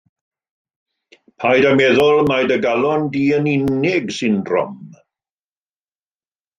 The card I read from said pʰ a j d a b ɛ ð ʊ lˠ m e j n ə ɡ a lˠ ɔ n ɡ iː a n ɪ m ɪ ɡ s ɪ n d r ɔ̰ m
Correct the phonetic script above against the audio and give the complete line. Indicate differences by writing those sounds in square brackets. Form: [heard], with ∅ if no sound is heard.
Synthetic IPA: pʰ a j d a [m] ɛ ð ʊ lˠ m [a] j [d] ə ɡ a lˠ ɔ n [d] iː [ə] n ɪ [n] ɪ ɡ s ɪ n d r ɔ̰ m